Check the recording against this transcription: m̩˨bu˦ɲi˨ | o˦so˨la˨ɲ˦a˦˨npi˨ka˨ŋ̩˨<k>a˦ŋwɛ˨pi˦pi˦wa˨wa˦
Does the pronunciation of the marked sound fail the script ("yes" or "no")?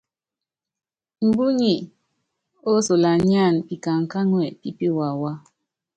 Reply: no